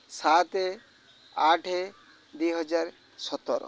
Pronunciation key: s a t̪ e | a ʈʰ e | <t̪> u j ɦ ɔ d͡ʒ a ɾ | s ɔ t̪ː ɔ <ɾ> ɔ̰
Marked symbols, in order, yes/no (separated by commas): no, yes